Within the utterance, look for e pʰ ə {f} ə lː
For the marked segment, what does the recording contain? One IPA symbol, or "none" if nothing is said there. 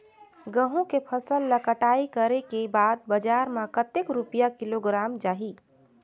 s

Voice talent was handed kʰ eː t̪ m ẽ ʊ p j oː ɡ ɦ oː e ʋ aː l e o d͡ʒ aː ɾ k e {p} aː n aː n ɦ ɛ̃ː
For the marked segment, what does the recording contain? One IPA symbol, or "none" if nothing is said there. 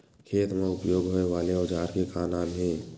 k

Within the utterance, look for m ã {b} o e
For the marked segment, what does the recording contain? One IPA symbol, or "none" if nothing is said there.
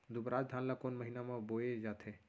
b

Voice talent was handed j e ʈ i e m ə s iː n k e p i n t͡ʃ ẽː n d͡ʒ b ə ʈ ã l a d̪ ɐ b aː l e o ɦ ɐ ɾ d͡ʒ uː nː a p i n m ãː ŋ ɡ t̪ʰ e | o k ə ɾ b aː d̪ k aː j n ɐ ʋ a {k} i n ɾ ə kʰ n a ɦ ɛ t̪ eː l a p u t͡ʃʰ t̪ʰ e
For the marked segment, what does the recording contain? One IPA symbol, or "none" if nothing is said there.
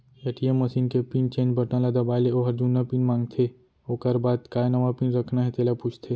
p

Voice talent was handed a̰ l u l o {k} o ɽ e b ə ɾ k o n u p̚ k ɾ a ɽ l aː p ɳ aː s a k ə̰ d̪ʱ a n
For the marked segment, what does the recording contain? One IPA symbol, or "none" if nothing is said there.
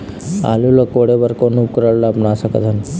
k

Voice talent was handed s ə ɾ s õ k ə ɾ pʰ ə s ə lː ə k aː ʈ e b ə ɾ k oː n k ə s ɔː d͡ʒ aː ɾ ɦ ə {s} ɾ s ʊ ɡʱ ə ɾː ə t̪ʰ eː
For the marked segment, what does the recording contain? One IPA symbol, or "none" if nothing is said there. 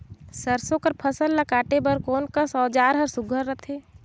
none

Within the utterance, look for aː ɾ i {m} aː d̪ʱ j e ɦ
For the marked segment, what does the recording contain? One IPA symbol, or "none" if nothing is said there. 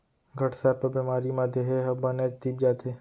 m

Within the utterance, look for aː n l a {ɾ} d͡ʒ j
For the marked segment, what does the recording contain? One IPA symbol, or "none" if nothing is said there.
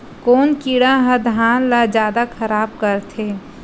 none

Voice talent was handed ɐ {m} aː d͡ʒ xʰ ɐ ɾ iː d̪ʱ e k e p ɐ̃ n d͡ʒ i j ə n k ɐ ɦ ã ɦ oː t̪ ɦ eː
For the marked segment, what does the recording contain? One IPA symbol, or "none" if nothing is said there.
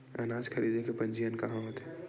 n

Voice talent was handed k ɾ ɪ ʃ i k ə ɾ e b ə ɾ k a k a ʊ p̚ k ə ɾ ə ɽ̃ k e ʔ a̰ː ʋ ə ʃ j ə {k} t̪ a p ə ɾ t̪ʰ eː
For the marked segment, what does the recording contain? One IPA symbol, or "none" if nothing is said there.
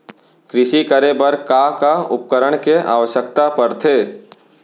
k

